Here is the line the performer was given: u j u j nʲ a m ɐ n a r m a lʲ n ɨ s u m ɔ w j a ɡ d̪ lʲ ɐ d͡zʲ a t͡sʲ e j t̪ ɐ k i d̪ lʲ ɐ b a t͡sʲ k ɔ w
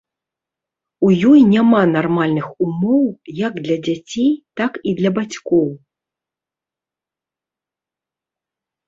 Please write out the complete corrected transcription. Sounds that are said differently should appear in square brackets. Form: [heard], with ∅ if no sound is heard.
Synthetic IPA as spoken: u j [ɔ] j nʲ a m [a] n a r m a lʲ n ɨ [x] u m ɔ w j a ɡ d̪ lʲ ɐ d͡zʲ a t͡sʲ e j t̪ [a] k i d̪ lʲ ɐ b a t͡sʲ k ɔ w